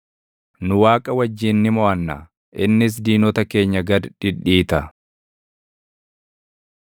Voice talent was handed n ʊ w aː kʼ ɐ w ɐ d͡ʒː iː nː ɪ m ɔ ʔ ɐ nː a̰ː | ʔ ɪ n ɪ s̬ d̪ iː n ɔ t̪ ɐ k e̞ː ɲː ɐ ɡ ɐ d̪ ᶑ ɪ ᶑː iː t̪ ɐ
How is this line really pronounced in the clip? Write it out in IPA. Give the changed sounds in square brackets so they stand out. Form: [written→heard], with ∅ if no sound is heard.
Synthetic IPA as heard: n ʊ w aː kʼ ɐ w ɐ d͡ʒː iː nː ɪ m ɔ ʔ ɐ nː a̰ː | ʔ ɪ [n→nː] ɪ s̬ d̪ iː n ɔ t̪ ɐ k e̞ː ɲː ɐ ɡ ɐ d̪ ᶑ ɪ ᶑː iː t̪ ɐ